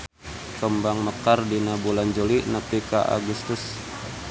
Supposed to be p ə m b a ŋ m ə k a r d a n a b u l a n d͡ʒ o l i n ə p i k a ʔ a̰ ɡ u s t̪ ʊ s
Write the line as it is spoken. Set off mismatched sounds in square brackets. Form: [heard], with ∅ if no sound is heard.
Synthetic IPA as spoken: [k] ə m b a ŋ m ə k a r d [i] n a b u l a n d͡ʒ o l i n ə p i k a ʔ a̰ ɡ u s t̪ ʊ s

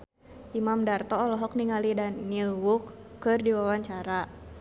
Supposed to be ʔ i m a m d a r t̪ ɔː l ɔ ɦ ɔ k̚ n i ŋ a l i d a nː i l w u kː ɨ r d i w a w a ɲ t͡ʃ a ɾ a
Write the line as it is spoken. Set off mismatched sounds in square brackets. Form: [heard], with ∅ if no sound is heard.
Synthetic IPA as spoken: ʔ i m a m d a r t̪ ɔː l ɔ ɦ ɔ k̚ n i ŋ a l i d a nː i l w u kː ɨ r d i w a w a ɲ t͡ʃ a ɾ a

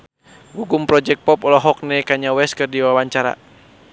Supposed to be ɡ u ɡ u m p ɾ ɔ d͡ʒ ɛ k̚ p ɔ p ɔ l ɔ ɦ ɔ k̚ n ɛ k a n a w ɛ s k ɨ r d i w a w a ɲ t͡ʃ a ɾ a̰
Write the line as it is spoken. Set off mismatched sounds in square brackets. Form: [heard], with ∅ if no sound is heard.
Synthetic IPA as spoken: ɡ u ɡ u m p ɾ ɔ d͡ʒ ɛ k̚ p ɔ p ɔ l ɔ ɦ ɔ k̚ n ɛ k a [ɲ] a w ɛ s k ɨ r d i w a w a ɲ t͡ʃ a ɾ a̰

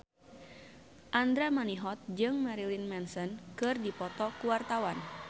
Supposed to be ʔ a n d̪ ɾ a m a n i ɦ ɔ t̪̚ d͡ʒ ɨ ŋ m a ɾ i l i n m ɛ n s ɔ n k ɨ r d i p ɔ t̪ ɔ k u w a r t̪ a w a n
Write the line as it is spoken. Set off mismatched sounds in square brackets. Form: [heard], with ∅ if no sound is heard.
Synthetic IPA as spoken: ʔ a n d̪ ɾ a m a n i ɦ ɔ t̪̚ d͡ʒ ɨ ŋ m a ɾ i l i n m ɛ n s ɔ n k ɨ r d i p ɔ t̪ ɔ k u w a r t̪ a w a n

